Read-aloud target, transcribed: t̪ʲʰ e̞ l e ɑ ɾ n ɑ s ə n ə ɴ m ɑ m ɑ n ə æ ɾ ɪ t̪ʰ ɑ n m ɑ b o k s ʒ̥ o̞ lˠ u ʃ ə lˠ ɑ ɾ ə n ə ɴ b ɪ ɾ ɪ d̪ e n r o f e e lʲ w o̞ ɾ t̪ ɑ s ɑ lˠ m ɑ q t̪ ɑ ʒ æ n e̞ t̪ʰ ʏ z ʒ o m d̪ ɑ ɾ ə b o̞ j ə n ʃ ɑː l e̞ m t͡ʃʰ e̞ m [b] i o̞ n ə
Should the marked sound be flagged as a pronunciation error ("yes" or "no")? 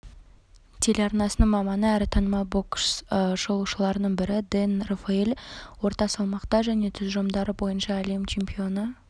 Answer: yes